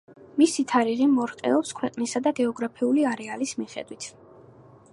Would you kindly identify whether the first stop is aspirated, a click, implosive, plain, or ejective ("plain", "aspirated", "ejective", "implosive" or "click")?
aspirated